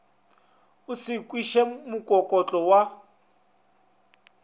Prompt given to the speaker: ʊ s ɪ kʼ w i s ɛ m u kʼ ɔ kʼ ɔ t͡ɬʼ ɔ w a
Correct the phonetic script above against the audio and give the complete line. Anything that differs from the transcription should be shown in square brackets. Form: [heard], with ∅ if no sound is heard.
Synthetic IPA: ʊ s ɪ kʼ w i [ʃ] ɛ m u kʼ ɔ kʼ ɔ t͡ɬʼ ɔ w a